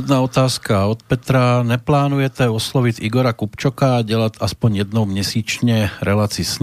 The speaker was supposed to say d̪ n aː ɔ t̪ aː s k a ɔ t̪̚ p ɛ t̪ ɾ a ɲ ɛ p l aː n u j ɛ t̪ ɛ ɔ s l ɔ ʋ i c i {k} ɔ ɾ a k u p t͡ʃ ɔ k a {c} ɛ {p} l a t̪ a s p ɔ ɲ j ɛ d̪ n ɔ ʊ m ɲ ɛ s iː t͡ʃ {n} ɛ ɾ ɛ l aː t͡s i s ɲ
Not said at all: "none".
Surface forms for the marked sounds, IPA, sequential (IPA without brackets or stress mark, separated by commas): ɡ, ɟ, none, ɲ